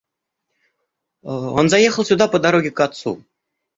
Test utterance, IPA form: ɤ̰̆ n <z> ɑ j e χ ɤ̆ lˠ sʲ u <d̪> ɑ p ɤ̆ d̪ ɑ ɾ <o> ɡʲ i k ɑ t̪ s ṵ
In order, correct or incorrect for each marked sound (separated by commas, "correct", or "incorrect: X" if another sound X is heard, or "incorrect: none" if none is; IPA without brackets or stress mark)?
correct, correct, correct